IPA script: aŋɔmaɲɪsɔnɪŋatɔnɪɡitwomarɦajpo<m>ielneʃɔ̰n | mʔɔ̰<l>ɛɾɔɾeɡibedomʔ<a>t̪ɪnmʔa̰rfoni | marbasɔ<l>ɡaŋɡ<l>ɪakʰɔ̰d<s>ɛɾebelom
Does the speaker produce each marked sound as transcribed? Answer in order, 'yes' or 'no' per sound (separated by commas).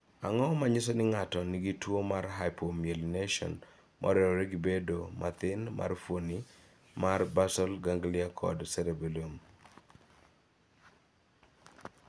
yes, no, yes, yes, yes, yes